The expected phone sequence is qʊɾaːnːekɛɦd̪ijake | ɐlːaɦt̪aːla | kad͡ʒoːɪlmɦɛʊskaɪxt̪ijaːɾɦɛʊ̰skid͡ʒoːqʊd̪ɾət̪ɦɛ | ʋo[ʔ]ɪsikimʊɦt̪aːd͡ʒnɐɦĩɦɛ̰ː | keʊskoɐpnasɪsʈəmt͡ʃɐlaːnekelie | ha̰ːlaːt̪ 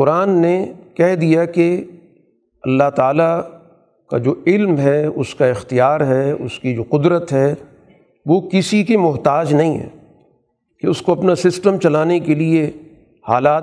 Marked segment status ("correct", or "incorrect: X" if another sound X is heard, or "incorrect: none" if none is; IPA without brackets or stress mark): incorrect: k